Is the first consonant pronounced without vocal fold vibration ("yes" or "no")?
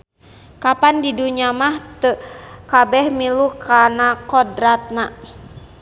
yes